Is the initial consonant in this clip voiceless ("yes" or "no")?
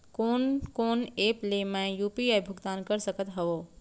yes